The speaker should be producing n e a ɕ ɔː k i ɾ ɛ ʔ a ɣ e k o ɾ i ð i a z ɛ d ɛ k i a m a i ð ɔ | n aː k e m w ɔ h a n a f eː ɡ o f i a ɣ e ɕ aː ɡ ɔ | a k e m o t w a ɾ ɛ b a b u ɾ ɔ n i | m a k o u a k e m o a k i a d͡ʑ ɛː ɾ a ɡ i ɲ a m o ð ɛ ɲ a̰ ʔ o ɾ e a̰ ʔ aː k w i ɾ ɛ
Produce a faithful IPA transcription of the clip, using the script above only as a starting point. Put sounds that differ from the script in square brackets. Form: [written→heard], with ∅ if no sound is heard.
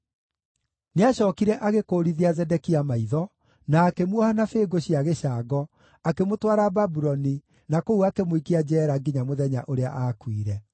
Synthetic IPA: n e a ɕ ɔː k i ɾ ɛ ʔ a ɣ e k o ɾ i ð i a z ɛ d ɛ k i a m a i ð ɔ | n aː k e m w ɔ h a n a f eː ɡ o [f→ɕ] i a ɣ e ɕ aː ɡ ɔ | a k e m o t w a ɾ [ɛ→a] b a b u ɾ ɔ n i | [m→n] a k o u a k e m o [a→i] k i a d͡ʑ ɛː ɾ a ɡ i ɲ a m o ð ɛ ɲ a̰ ʔ o ɾ e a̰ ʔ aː k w i ɾ ɛ

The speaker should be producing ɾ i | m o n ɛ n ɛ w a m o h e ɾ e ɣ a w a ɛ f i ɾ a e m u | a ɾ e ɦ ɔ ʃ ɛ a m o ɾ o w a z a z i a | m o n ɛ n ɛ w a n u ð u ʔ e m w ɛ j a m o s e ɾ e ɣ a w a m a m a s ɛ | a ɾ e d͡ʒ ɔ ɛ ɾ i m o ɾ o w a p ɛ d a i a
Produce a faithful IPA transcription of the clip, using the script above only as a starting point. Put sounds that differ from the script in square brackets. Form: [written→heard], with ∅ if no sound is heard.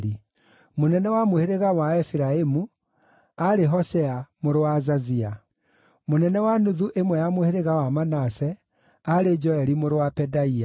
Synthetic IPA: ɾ i | m o n ɛ n ɛ w a m o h e ɾ e ɣ a w a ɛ f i ɾ a e m u | a ɾ e ɦ ɔ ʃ ɛ a m o ɾ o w a z a z i a | m o n ɛ n ɛ w a n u ð u ʔ e m w ɛ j a m o [s→h] e ɾ e ɣ a w a m a [m→n] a s ɛ | a ɾ e d͡ʒ ɔ ɛ ɾ i m o ɾ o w a p ɛ d a i a

